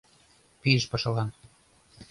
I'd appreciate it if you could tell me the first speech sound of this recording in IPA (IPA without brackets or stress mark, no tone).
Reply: p